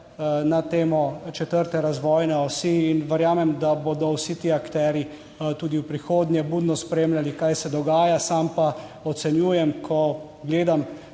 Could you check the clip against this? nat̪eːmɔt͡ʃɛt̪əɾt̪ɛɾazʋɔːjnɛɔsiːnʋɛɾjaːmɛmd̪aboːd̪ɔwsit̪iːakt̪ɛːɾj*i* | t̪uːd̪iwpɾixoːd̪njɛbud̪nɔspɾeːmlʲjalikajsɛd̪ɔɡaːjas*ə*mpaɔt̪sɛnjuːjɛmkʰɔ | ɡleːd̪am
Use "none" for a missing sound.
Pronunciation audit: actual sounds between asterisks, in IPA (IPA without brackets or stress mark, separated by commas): i, a